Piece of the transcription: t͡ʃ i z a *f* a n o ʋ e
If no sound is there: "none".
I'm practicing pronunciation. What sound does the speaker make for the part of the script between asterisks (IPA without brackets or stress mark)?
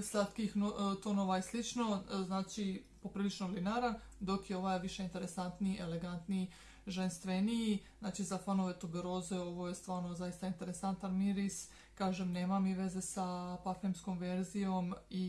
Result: f